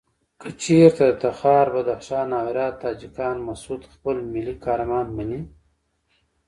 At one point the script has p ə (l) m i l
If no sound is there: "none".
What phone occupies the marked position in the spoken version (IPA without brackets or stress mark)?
l